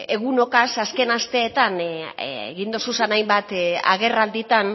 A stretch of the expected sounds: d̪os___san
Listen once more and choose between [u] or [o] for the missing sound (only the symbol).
u